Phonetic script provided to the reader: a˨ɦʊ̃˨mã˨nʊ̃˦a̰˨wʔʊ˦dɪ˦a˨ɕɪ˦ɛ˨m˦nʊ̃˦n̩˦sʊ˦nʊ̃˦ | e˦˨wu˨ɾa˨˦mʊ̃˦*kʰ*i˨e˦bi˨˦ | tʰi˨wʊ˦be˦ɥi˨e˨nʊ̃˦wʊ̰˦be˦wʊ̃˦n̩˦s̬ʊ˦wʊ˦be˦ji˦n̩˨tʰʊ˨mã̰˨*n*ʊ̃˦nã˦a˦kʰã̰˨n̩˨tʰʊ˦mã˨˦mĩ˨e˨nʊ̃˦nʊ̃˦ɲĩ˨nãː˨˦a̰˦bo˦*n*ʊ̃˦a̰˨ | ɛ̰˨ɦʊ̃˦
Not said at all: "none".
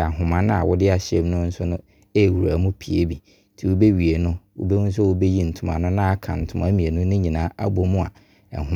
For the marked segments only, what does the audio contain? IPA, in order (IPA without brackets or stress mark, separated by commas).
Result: pʰ, n, m